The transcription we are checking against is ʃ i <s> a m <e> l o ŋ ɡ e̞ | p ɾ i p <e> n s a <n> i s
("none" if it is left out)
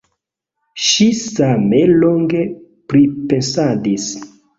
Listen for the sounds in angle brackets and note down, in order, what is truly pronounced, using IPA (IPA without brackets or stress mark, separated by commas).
s, e, e, d